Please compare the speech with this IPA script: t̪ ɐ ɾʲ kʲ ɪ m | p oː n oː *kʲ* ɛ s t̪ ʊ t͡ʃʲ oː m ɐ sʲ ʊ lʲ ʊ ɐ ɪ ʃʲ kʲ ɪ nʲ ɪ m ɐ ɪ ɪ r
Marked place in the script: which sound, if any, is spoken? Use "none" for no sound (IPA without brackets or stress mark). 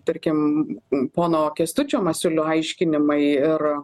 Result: kʲ